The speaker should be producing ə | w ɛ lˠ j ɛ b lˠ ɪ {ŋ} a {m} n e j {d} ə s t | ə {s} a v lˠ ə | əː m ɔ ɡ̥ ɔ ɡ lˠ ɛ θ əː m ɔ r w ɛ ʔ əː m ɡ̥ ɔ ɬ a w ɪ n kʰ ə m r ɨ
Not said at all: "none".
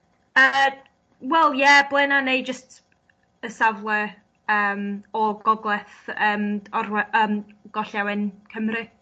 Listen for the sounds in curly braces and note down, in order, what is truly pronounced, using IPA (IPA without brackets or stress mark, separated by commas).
n, none, d͡ʒ, s